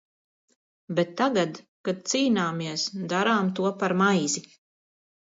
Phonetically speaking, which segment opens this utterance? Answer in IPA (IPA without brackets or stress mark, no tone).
b